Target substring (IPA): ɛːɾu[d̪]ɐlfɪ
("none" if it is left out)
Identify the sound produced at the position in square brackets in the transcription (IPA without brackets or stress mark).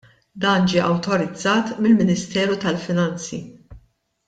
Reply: t̪